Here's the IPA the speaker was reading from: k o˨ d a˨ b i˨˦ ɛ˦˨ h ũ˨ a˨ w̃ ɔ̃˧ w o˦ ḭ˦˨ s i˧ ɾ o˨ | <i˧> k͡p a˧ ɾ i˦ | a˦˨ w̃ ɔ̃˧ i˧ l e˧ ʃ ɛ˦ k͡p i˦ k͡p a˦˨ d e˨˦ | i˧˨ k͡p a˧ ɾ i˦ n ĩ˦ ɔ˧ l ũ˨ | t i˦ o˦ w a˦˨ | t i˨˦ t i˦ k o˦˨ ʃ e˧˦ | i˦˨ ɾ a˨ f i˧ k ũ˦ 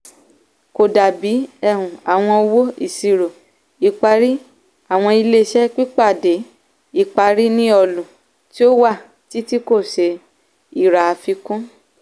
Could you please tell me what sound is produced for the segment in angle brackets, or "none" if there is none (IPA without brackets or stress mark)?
i˧